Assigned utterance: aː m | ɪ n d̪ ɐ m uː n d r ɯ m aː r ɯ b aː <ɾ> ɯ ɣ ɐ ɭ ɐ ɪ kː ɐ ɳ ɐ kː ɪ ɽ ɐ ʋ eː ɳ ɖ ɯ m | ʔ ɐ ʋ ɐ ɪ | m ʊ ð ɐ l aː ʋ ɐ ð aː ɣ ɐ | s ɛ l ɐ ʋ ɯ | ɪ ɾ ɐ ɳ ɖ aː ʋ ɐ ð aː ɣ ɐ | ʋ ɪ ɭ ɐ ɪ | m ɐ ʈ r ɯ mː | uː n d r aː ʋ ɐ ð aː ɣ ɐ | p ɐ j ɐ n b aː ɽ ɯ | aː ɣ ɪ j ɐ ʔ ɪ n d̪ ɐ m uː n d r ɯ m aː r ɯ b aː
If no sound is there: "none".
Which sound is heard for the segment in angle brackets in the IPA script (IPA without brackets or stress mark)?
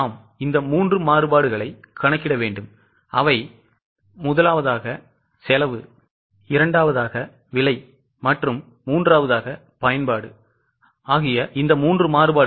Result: ɽ